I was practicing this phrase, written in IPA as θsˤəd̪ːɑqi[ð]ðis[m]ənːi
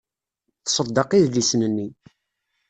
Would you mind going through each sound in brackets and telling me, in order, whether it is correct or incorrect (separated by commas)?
correct, incorrect